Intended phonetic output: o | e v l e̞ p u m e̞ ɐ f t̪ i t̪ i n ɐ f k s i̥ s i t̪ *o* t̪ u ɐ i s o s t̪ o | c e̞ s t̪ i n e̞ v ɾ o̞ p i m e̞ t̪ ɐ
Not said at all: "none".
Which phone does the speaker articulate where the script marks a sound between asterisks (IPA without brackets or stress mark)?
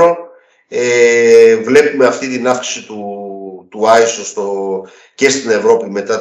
u